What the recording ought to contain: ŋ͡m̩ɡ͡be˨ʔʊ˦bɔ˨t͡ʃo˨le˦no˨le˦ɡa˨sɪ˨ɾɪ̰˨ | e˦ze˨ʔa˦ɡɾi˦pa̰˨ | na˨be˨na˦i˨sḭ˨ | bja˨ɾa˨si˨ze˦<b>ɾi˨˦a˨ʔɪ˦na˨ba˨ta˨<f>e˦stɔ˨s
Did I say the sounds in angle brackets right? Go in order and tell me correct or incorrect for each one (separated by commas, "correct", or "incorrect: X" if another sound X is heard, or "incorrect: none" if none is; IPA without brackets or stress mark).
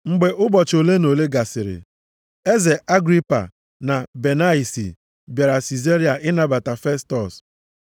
incorrect: none, correct